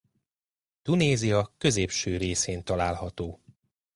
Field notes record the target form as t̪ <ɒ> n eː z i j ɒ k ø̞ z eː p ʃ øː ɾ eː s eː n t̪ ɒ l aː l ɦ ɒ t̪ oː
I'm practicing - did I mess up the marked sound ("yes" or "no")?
yes